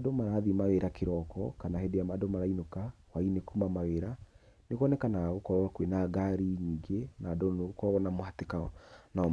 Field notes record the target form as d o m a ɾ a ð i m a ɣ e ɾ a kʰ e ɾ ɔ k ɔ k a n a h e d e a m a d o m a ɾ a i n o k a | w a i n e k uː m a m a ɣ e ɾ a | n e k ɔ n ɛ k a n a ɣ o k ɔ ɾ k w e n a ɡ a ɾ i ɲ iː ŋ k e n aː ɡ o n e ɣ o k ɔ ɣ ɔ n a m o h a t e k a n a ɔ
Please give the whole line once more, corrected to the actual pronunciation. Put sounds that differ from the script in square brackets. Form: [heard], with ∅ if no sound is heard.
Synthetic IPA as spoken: d o m a ɾ a ð i m a ɣ e ɾ a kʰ e ɾ ɔ k ɔ k a n a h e d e a m a d o m a ɾ a i n o k a | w a i n e k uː m a m a ɣ e ɾ a | n e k ɔ n ɛ k a n a ɣ o k ɔ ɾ k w e n a ɡ a ɾ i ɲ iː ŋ [ɡ] e n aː [d] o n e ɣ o k ɔ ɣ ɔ n a m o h a t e k a n a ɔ